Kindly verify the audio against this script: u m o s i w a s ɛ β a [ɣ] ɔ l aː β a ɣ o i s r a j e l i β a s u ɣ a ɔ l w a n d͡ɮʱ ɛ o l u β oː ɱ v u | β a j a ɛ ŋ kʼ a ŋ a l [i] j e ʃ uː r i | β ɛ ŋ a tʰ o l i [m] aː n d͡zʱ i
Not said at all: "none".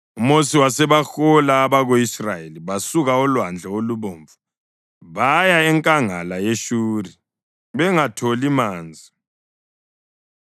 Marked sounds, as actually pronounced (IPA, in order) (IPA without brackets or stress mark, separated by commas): x, a, m